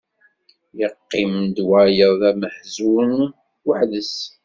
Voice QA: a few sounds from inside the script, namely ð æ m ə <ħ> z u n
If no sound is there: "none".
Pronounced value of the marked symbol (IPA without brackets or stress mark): ħ